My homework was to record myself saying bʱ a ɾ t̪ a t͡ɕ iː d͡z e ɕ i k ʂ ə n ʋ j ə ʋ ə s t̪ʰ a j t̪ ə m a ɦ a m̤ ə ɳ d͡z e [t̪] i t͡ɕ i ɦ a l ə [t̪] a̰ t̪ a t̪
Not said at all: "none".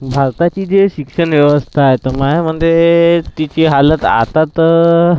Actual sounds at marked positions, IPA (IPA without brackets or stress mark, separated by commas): t̪, t̪